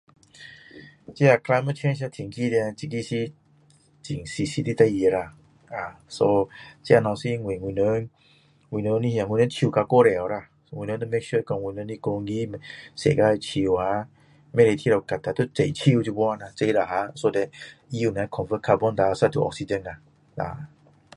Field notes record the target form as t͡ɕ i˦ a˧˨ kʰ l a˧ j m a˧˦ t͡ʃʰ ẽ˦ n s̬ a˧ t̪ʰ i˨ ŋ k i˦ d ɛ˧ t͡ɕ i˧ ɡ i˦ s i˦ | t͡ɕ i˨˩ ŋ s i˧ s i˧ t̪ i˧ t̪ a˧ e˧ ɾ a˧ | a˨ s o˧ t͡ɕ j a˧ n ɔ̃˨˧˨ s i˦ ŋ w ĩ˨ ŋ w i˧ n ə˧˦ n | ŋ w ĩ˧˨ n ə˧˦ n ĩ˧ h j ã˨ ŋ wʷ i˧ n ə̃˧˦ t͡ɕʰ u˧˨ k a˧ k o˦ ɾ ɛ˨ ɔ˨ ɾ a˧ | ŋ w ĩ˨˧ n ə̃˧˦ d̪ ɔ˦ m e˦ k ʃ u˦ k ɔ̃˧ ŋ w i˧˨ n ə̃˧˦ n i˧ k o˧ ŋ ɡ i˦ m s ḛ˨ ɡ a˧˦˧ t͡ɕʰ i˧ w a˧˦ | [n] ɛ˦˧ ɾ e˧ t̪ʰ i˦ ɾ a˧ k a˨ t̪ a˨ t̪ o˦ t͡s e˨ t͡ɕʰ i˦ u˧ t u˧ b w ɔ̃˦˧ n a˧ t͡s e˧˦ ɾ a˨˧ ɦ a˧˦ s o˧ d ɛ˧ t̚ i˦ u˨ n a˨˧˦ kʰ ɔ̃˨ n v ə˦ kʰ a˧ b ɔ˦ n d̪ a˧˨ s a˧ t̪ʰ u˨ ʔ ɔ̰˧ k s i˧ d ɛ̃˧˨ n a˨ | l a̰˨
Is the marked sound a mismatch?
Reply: yes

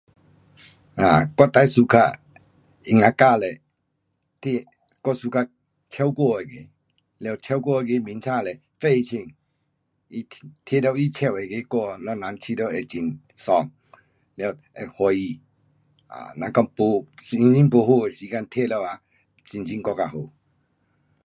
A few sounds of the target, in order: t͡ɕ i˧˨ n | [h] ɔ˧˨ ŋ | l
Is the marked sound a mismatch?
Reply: yes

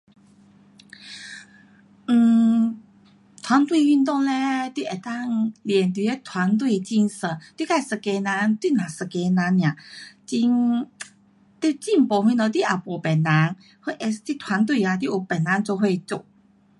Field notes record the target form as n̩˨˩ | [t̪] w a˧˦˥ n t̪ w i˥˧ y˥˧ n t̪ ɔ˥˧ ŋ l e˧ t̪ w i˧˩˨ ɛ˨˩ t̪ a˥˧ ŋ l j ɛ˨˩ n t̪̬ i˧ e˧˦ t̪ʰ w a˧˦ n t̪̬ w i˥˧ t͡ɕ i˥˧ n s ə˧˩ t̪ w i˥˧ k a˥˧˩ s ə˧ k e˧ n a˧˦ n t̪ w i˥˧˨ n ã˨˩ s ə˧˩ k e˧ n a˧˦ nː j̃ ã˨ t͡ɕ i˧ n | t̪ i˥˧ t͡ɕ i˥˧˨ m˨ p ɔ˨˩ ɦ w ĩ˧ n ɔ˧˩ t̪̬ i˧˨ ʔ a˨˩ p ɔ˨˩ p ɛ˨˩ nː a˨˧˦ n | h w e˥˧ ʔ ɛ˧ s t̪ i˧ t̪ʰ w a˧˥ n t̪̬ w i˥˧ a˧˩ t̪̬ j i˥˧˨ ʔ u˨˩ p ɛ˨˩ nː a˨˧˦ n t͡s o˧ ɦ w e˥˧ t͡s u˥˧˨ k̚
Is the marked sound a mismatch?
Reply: yes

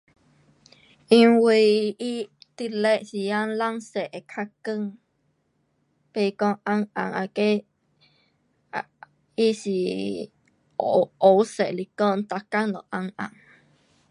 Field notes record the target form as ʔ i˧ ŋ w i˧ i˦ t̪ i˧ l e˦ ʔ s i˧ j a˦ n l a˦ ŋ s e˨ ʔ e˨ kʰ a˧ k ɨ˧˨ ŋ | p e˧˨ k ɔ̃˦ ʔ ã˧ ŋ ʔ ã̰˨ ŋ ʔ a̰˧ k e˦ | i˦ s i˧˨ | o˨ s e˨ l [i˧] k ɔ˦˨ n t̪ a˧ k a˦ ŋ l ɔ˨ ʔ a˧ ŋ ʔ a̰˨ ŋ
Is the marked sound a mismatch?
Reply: no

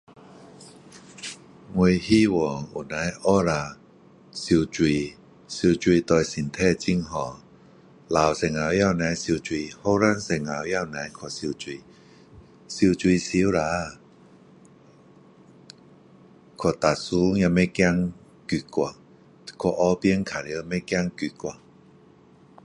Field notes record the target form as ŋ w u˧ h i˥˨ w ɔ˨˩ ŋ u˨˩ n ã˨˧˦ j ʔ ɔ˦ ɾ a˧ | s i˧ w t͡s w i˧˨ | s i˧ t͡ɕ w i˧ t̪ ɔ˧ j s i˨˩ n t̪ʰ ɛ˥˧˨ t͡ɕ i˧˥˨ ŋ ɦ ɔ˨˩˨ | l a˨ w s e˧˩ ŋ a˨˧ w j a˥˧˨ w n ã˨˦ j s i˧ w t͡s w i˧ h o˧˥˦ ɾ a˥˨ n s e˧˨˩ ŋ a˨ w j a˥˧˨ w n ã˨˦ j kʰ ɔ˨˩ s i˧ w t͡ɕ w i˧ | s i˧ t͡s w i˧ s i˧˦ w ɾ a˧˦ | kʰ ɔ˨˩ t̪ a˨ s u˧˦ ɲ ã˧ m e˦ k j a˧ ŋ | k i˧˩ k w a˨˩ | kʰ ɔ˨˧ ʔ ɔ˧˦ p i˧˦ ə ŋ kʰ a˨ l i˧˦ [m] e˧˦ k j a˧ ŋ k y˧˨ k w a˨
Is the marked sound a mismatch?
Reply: no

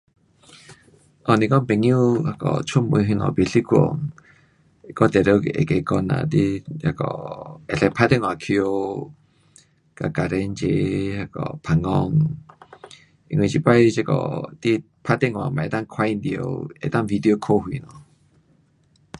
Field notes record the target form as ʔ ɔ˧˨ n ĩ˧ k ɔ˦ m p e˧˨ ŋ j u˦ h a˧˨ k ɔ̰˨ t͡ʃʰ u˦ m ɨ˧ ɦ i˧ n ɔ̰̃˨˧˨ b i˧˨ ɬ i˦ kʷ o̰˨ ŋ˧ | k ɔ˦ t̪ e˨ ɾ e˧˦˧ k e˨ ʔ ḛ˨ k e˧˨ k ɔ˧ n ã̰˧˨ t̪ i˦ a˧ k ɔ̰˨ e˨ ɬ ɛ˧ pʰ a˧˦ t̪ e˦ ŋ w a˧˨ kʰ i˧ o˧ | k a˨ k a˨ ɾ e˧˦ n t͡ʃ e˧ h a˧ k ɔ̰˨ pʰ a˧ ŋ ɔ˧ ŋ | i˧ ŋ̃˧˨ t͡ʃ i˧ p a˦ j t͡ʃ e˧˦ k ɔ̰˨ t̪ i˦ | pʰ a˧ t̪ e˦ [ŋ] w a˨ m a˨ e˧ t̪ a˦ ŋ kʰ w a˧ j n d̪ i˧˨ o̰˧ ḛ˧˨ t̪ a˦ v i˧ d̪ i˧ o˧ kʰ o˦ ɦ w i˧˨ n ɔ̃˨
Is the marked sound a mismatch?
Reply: no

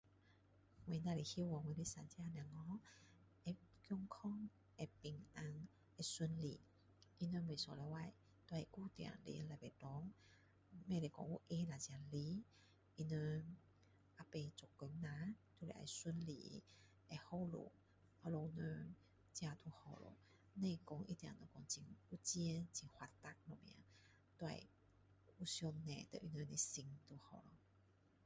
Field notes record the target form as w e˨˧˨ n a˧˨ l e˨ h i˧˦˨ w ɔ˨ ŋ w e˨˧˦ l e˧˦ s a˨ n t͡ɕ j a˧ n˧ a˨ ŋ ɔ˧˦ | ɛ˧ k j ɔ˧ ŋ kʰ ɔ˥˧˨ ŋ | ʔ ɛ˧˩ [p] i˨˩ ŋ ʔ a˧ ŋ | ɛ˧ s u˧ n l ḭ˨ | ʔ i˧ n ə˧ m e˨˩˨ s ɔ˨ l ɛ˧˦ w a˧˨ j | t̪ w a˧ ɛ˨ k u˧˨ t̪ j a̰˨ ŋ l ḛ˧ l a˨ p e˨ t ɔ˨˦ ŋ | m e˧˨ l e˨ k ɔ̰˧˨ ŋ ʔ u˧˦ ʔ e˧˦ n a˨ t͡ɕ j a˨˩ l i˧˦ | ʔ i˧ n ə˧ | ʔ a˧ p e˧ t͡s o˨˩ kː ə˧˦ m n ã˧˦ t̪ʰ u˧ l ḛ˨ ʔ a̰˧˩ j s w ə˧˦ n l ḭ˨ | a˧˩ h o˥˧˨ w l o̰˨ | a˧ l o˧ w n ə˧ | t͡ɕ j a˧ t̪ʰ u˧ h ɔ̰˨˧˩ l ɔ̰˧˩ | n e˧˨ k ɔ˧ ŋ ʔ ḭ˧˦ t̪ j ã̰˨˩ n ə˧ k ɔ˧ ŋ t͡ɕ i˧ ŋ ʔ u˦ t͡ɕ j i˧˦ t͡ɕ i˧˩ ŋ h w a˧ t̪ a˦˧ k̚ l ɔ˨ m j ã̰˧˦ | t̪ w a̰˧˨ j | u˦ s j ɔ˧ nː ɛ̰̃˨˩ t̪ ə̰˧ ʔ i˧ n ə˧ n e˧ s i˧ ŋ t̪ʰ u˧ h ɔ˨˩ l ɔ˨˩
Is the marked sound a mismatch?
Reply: no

